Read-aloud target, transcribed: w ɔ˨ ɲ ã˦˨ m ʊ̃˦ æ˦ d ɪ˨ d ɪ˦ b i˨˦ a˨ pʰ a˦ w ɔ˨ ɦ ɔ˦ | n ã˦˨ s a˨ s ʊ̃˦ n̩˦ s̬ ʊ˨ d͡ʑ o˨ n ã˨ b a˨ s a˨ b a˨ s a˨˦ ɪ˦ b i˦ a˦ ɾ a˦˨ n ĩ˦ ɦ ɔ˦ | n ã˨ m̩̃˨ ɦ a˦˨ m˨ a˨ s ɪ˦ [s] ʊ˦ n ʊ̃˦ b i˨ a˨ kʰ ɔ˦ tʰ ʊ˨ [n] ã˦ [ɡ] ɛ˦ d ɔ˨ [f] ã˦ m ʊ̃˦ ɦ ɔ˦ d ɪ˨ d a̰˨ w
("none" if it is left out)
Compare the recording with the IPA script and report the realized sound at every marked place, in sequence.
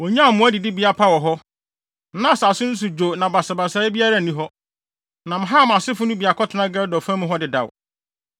f, n, ɡ, f

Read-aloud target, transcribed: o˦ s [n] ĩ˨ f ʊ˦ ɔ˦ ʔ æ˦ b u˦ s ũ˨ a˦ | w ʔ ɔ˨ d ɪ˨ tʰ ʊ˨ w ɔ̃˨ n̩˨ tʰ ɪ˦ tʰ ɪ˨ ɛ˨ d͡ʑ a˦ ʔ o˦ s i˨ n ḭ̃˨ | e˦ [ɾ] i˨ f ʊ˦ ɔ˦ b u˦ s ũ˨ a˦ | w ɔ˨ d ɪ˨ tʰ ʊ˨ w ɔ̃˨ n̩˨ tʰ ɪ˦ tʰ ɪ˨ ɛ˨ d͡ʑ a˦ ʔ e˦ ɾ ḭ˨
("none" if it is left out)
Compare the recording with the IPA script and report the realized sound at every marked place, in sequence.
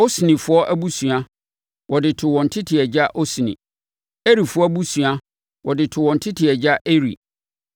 n, ɾ

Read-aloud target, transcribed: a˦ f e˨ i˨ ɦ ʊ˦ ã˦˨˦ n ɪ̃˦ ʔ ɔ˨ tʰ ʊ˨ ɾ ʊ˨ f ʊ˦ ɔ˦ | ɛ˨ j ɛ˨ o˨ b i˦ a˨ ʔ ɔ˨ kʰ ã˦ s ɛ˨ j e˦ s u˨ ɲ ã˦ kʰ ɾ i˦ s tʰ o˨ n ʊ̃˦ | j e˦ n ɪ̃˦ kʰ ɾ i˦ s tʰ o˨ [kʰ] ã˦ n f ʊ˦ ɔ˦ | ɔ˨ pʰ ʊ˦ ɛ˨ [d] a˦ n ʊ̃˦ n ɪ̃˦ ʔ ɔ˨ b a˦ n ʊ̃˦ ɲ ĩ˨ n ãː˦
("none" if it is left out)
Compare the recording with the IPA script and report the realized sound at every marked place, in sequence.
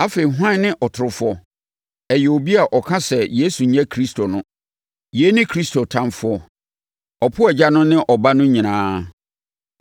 tʰ, d͡ʑ

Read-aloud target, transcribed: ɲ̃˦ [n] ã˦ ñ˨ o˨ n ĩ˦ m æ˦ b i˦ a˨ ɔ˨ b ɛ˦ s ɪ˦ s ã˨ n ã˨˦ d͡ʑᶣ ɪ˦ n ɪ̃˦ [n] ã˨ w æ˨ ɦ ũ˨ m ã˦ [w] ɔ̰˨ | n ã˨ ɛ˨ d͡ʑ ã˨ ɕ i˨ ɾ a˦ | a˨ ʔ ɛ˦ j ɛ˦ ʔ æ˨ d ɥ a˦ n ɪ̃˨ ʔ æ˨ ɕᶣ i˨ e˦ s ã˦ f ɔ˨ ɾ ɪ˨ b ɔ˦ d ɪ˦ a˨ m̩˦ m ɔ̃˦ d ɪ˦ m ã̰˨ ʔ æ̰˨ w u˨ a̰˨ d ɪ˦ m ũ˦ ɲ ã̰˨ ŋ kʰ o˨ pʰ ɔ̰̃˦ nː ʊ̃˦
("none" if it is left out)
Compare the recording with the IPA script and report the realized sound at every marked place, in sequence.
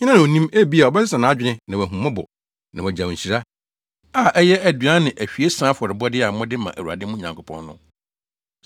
n, n, b

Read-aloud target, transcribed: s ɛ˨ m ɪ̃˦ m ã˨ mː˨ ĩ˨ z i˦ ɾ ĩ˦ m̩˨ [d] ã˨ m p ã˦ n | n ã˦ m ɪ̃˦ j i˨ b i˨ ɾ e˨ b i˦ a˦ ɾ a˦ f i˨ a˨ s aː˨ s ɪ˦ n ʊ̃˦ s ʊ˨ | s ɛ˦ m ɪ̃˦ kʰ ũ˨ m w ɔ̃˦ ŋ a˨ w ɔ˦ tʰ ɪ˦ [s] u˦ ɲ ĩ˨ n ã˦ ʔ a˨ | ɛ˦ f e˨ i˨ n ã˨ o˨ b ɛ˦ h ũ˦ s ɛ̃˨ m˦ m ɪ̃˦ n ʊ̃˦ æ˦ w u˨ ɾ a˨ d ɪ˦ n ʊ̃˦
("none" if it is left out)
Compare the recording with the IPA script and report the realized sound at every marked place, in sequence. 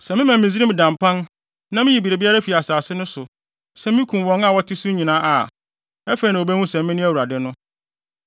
d, s

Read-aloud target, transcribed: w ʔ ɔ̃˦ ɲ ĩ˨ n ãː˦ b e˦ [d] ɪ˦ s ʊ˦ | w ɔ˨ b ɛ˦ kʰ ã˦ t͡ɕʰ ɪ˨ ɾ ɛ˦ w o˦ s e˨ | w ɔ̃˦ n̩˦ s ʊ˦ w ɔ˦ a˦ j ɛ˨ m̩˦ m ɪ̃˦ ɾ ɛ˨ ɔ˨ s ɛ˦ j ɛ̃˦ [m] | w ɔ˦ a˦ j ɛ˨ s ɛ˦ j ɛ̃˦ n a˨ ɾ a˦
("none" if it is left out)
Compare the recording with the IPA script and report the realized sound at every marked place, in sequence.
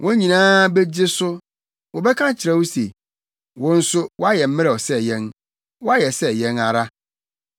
d͡ʑ, n

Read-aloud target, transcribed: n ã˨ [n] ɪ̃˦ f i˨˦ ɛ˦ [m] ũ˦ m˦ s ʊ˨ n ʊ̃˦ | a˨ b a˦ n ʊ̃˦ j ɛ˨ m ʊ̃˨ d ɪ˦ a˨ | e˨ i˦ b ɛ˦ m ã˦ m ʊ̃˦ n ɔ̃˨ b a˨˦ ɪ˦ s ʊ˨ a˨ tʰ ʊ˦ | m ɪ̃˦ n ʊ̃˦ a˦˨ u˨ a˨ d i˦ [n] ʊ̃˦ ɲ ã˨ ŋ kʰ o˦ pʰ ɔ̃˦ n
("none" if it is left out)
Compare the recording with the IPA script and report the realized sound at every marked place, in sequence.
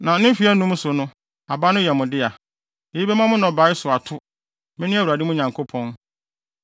n, n, m

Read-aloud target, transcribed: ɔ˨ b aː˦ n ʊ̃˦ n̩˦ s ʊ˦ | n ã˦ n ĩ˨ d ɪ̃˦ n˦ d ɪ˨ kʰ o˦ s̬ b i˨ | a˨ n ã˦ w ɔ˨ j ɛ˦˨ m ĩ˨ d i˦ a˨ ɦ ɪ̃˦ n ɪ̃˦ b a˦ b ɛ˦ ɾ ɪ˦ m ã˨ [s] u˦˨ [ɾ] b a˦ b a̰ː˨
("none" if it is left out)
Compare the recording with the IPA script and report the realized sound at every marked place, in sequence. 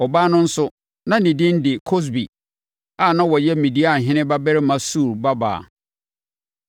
s, ɾ

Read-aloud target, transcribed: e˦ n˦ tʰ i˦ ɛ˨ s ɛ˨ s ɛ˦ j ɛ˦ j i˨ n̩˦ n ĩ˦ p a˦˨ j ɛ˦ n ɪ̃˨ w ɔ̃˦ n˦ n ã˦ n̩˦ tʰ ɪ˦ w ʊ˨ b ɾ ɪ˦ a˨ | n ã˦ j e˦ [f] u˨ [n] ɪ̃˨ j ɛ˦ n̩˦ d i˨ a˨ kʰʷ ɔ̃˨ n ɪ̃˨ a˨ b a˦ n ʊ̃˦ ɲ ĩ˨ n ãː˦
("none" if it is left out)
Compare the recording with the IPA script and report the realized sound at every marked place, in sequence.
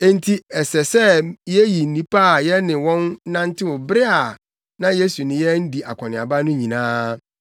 s, n

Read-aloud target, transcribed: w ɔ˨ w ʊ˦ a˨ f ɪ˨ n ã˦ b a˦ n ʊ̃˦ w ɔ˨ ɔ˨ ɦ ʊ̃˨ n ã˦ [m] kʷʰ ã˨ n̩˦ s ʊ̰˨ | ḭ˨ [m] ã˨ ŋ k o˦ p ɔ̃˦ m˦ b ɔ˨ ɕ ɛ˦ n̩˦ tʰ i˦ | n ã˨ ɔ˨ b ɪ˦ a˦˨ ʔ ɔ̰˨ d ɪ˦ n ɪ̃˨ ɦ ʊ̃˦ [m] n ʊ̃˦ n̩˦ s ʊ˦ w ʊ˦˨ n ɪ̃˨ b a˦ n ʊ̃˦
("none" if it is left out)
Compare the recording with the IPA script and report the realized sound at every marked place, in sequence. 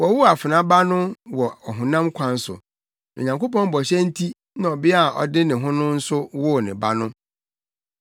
m, ɲ, none

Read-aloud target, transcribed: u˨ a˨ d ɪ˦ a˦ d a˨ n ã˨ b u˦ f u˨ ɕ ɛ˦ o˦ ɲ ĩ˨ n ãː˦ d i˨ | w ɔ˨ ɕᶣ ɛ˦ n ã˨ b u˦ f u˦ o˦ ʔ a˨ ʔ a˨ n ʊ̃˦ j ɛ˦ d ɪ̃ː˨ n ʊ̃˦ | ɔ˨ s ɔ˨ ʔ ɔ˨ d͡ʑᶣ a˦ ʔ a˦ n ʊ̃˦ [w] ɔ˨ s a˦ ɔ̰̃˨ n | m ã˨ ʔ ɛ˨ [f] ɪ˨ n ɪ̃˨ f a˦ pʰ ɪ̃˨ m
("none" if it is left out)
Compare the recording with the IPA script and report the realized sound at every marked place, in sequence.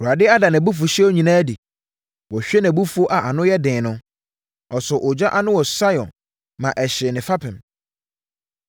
w, ɕ

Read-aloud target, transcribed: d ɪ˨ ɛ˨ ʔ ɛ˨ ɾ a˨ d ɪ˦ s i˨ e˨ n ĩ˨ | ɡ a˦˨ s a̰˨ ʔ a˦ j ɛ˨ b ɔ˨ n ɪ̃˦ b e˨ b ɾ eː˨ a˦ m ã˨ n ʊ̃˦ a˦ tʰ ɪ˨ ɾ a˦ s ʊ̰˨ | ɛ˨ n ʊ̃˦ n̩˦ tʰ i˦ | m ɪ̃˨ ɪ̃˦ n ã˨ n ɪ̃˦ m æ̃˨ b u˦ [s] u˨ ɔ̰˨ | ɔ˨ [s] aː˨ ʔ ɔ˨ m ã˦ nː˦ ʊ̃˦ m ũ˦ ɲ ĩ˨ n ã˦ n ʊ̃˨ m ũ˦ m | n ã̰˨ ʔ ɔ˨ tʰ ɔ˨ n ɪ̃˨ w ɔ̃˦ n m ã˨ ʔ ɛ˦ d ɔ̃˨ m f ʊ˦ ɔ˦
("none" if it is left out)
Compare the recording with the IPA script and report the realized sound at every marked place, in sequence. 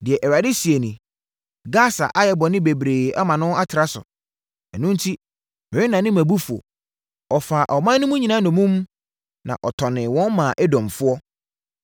f, f

